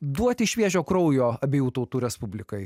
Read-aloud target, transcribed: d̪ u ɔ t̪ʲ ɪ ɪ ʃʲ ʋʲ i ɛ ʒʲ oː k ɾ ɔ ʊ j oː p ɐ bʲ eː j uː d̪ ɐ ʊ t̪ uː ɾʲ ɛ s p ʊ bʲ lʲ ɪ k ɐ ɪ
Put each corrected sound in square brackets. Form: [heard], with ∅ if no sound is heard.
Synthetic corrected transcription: d̪ u ɔ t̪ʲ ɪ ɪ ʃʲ ʋʲ i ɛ ʒʲ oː k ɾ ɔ ʊ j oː [∅] ɐ bʲ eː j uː [t̪] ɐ ʊ t̪ uː ɾʲ ɛ s p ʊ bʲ lʲ ɪ k ɐ ɪ

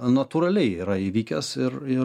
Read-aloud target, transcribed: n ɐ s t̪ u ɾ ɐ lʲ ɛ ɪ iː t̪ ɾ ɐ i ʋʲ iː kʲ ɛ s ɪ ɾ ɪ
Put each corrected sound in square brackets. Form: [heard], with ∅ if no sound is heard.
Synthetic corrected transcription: n ɐ [∅] t̪ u ɾ ɐ lʲ ɛ ɪ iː [∅] ɾ ɐ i ʋʲ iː kʲ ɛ s ɪ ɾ ɪ

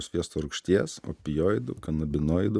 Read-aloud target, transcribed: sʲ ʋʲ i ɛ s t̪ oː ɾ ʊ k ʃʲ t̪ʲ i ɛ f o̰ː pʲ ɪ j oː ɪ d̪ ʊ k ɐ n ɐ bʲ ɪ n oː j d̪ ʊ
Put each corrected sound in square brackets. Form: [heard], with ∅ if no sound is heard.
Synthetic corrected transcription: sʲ ʋʲ i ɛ s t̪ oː ɾ ʊ k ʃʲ t̪ʲ i ɛ [s] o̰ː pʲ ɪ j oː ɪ d̪ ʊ k ɐ n ɐ bʲ ɪ n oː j d̪ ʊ

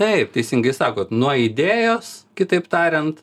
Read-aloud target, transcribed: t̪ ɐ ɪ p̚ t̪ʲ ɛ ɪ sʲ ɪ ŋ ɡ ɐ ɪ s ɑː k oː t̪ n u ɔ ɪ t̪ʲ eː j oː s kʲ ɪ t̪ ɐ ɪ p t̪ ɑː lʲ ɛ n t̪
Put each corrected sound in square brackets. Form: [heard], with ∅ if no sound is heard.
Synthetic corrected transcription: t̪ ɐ ɪ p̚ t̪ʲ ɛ ɪ sʲ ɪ ŋ ɡ ɐ ɪ s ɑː k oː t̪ n u ɔ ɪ [d̪ʲ] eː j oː s kʲ ɪ t̪ ɐ ɪ p t̪ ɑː [ɾʲ] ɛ n t̪

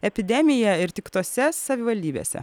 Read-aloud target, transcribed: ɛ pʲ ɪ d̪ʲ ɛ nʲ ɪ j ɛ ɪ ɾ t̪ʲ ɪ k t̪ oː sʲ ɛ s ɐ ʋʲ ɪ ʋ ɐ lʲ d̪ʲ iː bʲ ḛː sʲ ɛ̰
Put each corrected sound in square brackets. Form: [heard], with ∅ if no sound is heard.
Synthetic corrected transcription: ɛ pʲ ɪ d̪ʲ ɛ [mʲ] ɪ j ɛ ɪ ɾ t̪ʲ ɪ k t̪ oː sʲ ɛ s ɐ ʋʲ ɪ ʋ ɐ lʲ d̪ʲ iː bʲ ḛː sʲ ɛ̰

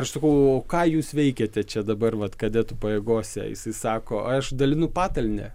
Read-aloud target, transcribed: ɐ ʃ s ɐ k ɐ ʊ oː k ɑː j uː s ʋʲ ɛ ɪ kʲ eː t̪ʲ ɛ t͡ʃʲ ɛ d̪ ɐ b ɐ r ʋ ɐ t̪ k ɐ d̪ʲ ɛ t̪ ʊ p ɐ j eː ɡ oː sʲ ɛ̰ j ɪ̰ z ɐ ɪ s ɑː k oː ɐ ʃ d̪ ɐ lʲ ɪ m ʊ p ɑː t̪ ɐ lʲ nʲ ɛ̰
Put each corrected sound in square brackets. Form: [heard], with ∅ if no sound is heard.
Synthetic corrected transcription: ɐ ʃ s ɐ k ɐ ʊ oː k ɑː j uː s ʋʲ ɛ ɪ kʲ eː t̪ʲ ɛ t͡ʃʲ ɛ d̪ ɐ b ɐ r ʋ ɐ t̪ k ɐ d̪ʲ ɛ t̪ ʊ p ɐ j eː ɡ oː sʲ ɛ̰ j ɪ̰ [s] ɐ ɪ s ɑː k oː ɐ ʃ d̪ ɐ lʲ ɪ [n] ʊ p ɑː t̪ ɐ lʲ nʲ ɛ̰

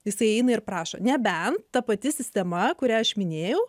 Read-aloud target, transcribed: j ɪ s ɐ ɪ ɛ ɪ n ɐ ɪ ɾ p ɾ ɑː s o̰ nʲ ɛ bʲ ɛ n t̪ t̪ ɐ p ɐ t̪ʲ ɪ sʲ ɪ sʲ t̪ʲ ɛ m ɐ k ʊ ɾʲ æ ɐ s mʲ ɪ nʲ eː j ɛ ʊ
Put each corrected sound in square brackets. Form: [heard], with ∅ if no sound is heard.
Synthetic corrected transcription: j ɪ s ɐ ɪ ɛ ɪ n ɐ ɪ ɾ p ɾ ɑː [ʃ] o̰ nʲ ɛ bʲ ɛ n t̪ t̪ ɐ p ɐ t̪ʲ ɪ sʲ ɪ sʲ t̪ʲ ɛ m ɐ k ʊ ɾʲ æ ɐ [ʃ] mʲ ɪ nʲ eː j ɛ ʊ

